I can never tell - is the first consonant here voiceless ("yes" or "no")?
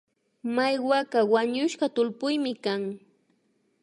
no